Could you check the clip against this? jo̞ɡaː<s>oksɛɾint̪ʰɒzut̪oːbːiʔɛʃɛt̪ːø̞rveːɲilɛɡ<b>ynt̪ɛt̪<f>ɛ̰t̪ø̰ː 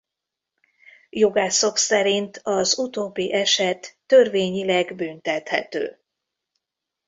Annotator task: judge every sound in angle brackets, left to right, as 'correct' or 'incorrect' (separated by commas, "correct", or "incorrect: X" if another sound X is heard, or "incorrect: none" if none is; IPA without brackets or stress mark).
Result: correct, correct, incorrect: h